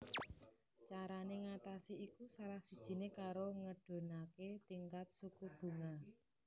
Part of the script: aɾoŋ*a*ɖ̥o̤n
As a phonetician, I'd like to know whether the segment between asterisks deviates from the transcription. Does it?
yes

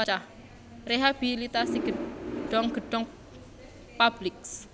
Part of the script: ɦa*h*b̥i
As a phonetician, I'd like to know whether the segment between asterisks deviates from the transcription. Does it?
yes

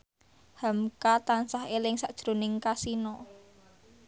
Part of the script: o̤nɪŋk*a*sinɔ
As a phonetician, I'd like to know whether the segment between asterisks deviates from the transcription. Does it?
no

